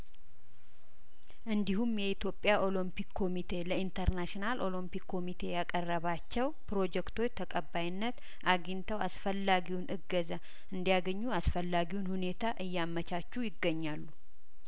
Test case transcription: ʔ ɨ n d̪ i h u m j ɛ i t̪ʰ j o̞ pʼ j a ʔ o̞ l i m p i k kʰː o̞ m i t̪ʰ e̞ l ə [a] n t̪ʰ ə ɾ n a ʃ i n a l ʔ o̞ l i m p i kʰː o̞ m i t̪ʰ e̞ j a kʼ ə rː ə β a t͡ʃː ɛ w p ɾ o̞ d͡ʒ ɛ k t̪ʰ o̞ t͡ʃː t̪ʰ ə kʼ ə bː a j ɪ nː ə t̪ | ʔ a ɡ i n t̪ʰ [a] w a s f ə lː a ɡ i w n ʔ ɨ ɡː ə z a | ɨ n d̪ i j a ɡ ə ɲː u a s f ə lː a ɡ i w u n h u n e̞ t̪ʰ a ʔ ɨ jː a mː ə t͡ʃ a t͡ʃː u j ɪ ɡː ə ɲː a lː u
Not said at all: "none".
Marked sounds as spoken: i, ə

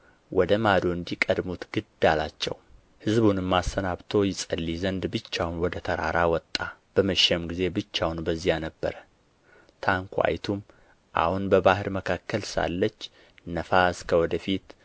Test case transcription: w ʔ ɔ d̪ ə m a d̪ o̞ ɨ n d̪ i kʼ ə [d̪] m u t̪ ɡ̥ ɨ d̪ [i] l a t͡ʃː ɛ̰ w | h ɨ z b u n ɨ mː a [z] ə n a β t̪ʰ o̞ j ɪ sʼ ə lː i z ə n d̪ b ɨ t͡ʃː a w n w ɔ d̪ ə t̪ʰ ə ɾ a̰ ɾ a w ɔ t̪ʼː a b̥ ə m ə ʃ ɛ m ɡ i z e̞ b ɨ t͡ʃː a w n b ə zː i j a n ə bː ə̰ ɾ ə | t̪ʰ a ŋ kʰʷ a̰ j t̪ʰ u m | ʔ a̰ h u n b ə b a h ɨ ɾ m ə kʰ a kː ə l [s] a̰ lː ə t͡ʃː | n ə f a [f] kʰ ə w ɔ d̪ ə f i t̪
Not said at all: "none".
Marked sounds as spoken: d̪, a, s, s, s

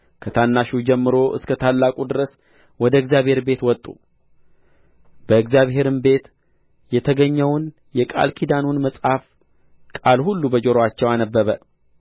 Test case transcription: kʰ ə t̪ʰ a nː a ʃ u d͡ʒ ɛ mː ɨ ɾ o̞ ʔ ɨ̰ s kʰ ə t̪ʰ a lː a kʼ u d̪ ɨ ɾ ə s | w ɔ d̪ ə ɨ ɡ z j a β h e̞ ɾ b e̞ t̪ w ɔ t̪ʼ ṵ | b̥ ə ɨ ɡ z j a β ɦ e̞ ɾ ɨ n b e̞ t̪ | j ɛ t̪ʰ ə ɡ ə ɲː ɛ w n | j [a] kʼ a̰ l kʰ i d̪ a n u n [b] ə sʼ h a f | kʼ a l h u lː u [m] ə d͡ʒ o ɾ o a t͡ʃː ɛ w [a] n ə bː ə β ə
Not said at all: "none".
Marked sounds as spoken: ɛ, m, b, a

